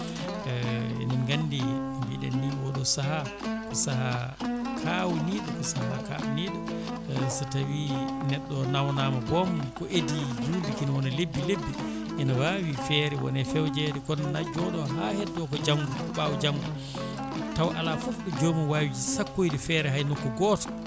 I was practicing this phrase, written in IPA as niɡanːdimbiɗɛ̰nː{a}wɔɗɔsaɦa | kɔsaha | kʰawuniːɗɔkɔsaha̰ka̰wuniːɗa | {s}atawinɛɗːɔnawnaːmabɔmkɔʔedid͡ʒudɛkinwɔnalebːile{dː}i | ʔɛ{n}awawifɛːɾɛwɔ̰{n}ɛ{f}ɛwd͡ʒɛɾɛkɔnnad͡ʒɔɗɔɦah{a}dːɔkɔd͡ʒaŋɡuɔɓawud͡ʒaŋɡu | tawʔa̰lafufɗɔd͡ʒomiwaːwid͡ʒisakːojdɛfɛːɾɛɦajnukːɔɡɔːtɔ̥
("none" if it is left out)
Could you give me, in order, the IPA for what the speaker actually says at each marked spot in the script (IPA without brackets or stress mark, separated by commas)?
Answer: i, s, bː, n, n, f, ɛ